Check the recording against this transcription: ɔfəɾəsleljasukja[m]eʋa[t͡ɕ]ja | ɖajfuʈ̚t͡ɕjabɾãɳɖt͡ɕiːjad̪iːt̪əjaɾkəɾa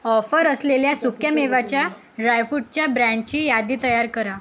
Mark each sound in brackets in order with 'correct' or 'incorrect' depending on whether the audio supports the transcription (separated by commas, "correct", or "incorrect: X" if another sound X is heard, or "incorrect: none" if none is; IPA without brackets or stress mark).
correct, correct